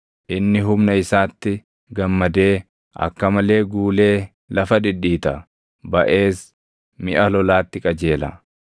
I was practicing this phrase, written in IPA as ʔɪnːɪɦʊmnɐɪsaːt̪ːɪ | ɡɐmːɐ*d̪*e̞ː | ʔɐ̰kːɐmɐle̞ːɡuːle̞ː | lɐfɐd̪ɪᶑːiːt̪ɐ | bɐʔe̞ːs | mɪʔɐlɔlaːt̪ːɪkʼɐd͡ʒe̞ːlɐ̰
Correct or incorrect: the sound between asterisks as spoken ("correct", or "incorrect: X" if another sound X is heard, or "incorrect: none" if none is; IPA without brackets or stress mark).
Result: correct